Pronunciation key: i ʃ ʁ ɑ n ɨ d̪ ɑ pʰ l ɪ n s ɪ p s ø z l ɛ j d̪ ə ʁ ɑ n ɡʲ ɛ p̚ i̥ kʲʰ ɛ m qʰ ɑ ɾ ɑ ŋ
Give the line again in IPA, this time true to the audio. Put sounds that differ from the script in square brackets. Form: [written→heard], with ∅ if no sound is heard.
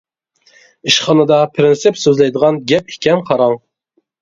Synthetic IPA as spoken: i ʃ [ʁ→χ] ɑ n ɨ d̪ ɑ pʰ [l→ɾ] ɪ n s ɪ p s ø z l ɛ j d̪ ə ʁ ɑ n ɡʲ ɛ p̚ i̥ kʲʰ ɛ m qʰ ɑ ɾ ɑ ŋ